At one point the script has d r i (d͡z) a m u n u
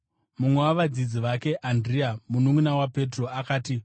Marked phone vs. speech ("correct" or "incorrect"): incorrect